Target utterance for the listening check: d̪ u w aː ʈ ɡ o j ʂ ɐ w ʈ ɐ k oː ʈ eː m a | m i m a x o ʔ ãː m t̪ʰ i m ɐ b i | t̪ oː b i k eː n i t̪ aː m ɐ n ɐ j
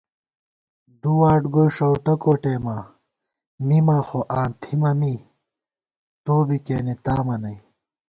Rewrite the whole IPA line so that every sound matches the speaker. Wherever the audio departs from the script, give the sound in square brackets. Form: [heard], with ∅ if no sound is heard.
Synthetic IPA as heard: d̪ u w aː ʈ ɡ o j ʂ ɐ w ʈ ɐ k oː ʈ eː m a | m i m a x o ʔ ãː [n] t̪ʰ i m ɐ [m] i | t̪ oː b i k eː n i t̪ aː m ɐ n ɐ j